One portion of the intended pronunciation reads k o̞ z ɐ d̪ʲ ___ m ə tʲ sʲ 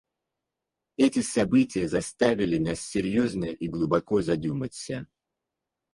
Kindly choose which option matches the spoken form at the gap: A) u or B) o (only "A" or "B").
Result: A